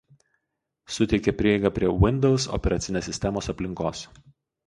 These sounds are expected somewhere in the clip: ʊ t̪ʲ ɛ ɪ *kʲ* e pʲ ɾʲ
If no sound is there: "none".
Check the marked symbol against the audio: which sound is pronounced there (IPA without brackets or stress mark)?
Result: kʲ